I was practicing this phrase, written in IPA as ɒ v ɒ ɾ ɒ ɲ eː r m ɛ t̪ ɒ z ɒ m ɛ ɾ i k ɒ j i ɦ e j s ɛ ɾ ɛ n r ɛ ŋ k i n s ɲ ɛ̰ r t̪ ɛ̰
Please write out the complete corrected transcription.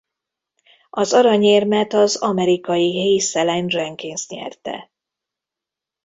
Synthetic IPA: ɒ z ɒ ɾ ɒ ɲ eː r m ɛ t̪ ɒ z ɒ m ɛ ɾ i k ɒ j i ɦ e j s ɛ l ɛ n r ɛ ŋ k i n s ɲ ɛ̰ r t̪ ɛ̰